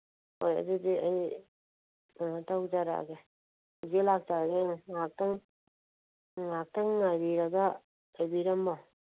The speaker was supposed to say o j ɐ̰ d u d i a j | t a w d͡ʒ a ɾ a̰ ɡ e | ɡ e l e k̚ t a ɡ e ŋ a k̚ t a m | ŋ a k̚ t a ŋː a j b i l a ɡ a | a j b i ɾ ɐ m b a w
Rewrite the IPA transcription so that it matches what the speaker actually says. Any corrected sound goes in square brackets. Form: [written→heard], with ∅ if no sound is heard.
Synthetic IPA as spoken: o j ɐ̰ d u d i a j | t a w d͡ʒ a ɾ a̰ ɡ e | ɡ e l [e→a] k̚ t a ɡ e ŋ a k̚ t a [m→ŋ] | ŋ a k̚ t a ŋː a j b i [l→ɾ] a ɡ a | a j b i ɾ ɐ m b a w